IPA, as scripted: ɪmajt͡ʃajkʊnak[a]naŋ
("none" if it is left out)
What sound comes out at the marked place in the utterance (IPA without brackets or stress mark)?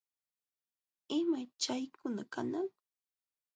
a